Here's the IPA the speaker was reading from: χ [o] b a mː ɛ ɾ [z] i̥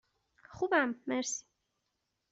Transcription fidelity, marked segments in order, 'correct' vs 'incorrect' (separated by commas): incorrect, incorrect